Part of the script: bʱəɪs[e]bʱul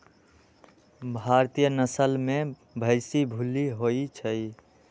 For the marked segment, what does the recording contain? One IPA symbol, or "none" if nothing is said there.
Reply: i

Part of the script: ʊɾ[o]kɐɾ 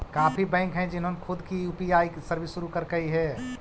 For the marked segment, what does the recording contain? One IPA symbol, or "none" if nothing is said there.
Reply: u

